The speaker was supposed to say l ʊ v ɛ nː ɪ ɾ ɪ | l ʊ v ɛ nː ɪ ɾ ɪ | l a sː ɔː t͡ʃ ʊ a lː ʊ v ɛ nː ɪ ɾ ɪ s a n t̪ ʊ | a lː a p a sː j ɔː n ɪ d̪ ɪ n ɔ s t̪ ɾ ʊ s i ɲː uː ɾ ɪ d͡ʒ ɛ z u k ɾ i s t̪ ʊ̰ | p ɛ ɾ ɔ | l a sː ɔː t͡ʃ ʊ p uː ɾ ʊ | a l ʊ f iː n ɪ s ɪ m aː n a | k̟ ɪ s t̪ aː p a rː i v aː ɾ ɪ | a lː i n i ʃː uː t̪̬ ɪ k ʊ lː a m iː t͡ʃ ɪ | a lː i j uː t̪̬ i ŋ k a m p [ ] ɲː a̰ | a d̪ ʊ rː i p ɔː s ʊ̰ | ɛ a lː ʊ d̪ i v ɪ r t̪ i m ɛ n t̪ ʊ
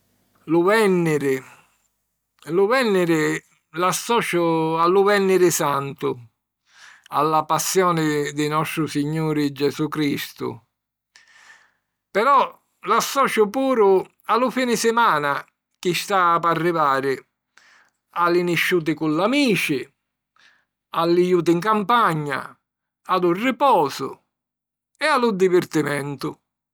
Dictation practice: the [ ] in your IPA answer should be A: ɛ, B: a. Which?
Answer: B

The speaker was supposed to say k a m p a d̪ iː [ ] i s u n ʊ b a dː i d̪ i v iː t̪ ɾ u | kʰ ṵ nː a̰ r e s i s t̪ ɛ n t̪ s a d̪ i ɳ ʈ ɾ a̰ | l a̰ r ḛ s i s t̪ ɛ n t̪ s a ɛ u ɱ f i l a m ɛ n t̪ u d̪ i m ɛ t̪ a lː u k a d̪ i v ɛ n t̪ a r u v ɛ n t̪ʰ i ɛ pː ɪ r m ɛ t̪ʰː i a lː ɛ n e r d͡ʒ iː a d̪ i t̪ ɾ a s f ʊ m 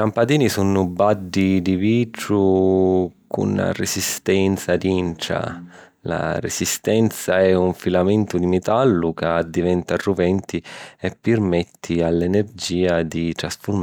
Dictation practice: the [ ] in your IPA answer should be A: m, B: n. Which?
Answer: B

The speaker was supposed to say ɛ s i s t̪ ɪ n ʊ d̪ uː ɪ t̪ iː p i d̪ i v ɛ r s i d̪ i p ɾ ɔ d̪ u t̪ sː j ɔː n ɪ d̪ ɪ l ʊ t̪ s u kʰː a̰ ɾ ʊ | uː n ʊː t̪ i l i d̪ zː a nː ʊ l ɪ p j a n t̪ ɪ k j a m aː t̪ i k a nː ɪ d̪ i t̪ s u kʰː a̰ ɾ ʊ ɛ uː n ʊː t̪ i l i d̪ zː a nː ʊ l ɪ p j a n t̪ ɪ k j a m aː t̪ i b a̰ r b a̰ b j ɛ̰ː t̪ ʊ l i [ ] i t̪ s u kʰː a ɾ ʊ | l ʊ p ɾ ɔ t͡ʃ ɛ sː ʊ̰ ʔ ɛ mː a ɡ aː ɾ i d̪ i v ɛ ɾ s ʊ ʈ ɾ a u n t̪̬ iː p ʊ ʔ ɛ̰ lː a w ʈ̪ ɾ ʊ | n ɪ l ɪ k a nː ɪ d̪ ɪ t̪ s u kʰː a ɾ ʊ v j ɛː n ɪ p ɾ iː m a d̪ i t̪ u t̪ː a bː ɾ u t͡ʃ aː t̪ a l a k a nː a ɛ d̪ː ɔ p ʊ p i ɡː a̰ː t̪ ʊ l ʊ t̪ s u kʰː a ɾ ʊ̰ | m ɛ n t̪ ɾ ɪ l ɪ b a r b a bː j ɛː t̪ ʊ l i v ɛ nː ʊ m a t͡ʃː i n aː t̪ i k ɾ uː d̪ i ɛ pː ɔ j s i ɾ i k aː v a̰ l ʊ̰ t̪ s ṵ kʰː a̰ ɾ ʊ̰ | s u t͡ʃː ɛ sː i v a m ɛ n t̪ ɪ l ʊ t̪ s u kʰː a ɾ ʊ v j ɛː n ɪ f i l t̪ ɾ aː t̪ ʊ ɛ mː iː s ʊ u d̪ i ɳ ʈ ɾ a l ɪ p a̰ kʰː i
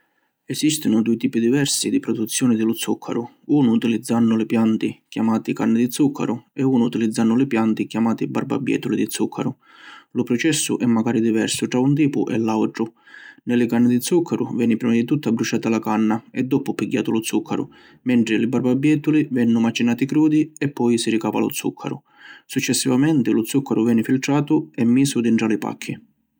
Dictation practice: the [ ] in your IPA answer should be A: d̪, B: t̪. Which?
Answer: A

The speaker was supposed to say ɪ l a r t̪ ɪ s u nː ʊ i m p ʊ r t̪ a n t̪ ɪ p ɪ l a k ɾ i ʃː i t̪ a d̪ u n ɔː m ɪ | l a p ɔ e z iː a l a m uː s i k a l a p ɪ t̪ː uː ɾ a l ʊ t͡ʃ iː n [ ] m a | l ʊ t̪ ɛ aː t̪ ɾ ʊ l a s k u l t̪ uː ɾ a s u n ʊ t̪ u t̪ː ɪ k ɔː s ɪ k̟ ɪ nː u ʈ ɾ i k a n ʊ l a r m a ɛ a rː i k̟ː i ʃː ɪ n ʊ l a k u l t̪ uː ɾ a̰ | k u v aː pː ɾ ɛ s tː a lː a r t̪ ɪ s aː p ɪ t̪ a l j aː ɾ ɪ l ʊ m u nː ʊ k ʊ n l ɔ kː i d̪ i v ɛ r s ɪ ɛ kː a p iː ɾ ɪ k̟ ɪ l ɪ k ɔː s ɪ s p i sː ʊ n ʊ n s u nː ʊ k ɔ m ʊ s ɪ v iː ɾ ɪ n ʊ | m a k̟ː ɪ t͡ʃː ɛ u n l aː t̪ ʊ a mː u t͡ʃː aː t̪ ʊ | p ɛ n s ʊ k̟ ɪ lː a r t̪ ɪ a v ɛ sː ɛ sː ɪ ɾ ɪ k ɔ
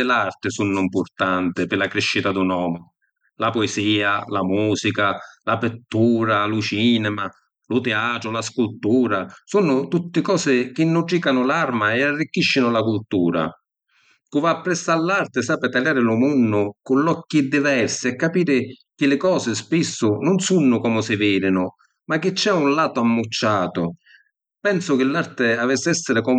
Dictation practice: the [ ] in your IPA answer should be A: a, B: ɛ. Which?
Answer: B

